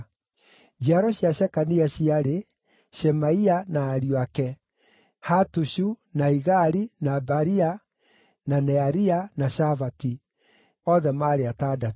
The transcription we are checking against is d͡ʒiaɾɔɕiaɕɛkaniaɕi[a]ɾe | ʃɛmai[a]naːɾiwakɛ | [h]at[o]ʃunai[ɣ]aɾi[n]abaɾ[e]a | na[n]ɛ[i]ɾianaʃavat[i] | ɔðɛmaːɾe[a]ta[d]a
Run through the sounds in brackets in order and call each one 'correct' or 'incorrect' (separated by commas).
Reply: correct, correct, correct, incorrect, correct, correct, incorrect, correct, incorrect, correct, correct, correct